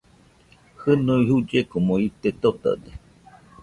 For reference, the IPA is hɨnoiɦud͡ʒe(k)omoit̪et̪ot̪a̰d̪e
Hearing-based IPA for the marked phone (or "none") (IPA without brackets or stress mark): k